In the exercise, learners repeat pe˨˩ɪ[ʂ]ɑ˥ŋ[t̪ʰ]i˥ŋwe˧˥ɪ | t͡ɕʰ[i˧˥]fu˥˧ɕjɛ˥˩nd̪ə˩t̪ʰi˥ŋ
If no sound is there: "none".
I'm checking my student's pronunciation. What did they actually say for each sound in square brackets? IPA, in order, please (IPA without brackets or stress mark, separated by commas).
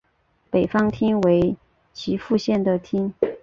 f, t̪ʰ, i˧˥